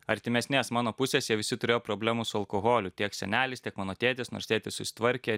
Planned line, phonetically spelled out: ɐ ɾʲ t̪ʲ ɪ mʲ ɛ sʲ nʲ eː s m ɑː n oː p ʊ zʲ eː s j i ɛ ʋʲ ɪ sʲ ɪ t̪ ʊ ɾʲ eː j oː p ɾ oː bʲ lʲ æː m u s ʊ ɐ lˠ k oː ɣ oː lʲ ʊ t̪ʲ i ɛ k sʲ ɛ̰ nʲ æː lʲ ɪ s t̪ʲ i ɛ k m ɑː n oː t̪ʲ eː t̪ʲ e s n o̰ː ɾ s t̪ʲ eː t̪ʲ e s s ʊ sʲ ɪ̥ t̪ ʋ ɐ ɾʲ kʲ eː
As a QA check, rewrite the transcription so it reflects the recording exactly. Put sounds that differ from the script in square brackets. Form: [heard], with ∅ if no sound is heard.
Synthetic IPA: ɐ ɾʲ t̪ʲ ɪ mʲ ɛ sʲ nʲ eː s m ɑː n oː p ʊ [sʲ] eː s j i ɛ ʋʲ ɪ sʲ ɪ t̪ ʊ ɾʲ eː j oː p ɾ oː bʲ lʲ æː m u s ʊ ɐ lˠ k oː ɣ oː lʲ ʊ t̪ʲ i ɛ k sʲ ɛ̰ nʲ æː lʲ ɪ s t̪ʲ i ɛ k m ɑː n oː t̪ʲ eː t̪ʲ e s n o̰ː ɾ s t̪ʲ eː t̪ʲ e s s ʊ sʲ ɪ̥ t̪ ʋ ɐ ɾʲ kʲ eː